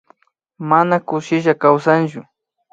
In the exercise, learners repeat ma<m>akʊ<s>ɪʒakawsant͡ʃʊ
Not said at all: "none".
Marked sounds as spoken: n, ʃ

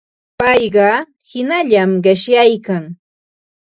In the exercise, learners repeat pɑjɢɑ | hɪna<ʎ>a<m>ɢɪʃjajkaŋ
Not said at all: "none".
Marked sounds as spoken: ʎ, m

